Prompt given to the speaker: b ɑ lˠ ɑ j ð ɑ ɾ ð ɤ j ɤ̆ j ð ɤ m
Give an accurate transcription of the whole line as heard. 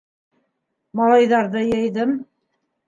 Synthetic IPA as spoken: m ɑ lˠ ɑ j ð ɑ ɾ ð ɤ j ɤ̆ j ð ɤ m